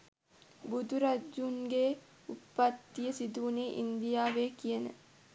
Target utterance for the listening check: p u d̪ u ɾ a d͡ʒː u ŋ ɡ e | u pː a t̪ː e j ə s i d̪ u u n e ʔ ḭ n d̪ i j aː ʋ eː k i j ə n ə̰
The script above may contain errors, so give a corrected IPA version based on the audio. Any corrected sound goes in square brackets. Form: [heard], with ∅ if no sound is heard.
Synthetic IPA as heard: [b] u d̪ u ɾ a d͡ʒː u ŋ ɡ e | u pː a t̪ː [i] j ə s i d̪ u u n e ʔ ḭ n d̪ i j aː ʋ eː k i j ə n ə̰